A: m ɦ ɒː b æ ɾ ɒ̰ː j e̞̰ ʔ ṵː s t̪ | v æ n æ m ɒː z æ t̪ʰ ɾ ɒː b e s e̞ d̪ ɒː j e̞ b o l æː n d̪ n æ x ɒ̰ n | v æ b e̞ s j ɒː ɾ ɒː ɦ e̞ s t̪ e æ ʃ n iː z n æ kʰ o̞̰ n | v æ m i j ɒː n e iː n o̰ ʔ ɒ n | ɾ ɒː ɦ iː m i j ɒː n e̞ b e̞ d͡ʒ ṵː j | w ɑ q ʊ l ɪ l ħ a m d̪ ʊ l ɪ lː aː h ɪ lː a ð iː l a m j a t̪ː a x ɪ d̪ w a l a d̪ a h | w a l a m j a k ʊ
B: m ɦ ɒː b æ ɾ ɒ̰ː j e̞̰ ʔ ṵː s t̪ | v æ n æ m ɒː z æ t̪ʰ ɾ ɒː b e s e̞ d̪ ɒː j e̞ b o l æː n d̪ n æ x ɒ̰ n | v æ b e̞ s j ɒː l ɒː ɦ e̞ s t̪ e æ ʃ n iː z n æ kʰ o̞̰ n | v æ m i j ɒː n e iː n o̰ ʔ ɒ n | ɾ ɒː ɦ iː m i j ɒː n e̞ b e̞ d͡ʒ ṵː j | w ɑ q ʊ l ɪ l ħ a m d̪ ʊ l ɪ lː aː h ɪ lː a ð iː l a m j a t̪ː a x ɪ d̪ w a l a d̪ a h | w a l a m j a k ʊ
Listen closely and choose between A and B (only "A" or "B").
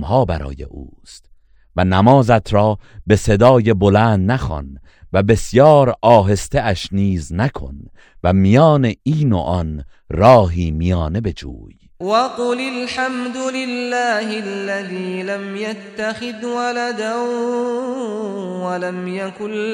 A